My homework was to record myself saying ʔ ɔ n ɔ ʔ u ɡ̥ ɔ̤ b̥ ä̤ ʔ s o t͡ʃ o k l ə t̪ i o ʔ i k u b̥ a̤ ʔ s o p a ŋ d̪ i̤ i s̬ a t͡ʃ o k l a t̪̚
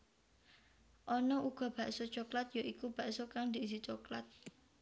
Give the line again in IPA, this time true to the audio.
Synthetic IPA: ʔ ɔ n ɔ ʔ u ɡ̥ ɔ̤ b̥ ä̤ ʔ s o t͡ʃ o k l a t̪ j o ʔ i k u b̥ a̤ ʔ s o k a ŋ d̪ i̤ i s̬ i t͡ʃ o k l a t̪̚